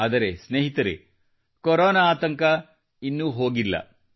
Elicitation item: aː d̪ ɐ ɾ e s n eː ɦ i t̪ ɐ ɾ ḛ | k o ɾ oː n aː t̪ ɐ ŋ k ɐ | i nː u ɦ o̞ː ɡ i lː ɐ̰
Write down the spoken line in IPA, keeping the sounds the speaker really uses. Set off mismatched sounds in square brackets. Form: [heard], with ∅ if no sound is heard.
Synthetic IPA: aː d̪ ɐ ɾ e s n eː ɦ i t̪ ɐ ɾ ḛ | k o ɾ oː n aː t̪ ɐ ŋ k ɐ | i nː u ɦ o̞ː ɡ i lː ɐ̰